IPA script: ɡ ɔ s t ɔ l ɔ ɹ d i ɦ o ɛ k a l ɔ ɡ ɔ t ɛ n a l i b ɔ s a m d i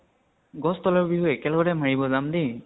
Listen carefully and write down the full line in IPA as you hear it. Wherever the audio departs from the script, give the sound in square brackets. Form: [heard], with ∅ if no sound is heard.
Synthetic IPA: ɡ ɔ s t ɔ l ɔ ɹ [b] i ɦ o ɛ k [ɛ] l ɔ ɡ ɔ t ɛ [m] a [ɹ] i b ɔ [z] a m d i